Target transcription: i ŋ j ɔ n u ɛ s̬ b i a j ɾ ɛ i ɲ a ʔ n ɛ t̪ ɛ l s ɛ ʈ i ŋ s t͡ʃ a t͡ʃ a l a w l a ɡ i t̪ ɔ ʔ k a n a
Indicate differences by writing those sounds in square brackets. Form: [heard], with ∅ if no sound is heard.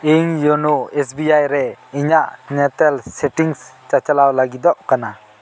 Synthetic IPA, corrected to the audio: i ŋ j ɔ n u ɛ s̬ b i a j ɾ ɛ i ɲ a ʔ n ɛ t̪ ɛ l s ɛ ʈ i ŋ s t͡ʃ a t͡ʃ a l a w l a ɡ i [d̪] ɔ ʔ k a n a